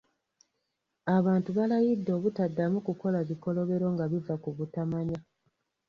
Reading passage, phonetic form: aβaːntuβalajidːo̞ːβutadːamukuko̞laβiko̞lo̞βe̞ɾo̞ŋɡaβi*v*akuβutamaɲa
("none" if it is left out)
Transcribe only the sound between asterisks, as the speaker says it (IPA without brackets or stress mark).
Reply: v